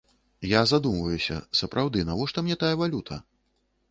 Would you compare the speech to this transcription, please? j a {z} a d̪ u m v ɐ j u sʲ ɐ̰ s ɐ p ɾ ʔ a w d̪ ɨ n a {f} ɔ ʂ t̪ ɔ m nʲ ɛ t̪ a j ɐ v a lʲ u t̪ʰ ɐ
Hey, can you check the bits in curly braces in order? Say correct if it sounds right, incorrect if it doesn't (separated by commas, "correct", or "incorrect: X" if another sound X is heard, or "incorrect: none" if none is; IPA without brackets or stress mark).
correct, incorrect: v